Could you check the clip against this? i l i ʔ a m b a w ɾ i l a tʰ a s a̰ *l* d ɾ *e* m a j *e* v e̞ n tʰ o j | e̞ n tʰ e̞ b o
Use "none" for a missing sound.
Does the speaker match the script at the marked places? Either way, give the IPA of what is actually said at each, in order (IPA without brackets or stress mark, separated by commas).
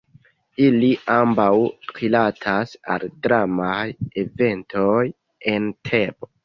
l, a, e